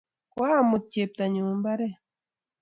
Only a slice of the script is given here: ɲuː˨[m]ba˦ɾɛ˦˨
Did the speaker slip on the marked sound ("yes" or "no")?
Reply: no